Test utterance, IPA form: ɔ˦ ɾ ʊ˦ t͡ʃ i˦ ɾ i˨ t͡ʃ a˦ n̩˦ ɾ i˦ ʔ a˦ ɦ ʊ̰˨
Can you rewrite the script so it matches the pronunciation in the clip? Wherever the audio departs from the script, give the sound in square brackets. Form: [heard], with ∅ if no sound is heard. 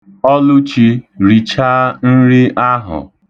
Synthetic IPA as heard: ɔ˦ [l] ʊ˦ t͡ʃ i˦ ɾ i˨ t͡ʃ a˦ n̩˦ ɾ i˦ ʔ a˦ ɦ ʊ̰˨